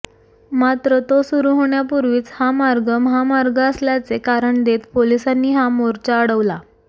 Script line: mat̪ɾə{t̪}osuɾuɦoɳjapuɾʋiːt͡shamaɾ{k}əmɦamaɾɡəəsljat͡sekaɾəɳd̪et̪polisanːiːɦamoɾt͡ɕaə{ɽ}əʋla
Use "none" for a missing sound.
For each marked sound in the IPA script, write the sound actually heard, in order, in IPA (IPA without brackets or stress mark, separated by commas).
t̪, ɡ, ɽ